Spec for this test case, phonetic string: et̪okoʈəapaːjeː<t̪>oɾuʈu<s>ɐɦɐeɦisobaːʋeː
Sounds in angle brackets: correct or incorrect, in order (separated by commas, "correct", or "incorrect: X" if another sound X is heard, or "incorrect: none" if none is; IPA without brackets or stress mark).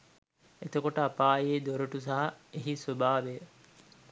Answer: incorrect: d̪, correct